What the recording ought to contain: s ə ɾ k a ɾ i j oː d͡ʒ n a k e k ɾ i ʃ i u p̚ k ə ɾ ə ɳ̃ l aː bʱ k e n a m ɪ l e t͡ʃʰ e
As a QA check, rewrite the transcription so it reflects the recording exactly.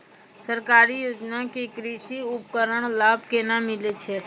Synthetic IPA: s ə ɾ k a ɾ i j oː d͡ʒ n a k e k ɾ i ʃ i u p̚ k ə ɾ ə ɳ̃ l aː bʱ k e n a m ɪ l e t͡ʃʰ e

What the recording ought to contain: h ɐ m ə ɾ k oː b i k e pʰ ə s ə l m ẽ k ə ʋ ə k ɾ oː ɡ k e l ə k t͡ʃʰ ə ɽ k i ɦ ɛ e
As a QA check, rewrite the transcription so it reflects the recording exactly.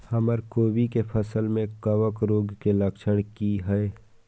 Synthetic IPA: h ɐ m ə ɾ k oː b i k e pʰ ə s ə l m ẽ k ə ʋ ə k ɾ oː ɡ k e l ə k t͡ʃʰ ə ɽ k i ɦ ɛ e

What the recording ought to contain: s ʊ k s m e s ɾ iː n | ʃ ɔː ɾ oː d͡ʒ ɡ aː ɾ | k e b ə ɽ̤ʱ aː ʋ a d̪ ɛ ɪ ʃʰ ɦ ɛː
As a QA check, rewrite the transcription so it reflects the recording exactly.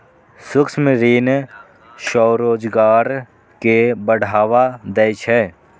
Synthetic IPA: s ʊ k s m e ɾ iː n | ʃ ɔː ɾ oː d͡ʒ ɡ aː ɾ | k e b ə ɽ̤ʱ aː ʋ a d̪ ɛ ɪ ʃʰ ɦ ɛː

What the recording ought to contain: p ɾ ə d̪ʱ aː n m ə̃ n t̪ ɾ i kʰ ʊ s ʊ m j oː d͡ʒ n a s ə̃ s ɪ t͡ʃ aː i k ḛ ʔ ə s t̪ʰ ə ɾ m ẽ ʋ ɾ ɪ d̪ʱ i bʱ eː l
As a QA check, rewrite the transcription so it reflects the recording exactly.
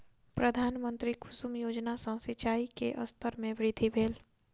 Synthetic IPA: p ɾ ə d̪ʱ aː n m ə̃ n t̪ ɾ i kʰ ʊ s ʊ m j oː d͡ʒ n a s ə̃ s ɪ t͡ʃ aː i k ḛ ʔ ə s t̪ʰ ə ɾ m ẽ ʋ ɾ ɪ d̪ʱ i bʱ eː l

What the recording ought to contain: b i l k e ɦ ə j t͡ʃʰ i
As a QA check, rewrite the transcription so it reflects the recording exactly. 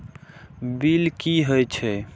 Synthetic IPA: b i l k i ɦ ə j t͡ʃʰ ɛ

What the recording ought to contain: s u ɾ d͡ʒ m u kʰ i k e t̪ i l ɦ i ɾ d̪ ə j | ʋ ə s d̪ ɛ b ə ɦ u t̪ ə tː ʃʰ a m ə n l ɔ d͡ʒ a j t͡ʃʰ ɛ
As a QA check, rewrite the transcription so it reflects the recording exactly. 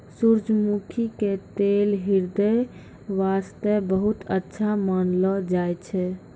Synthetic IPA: s u ɾ d͡ʒ m u kʰ i k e t̪ e l ɦ i ɾ d̪ ə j | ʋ a s t̪ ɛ b ə ɦ u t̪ ə tː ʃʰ a m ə n l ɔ d͡ʒ a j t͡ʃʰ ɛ

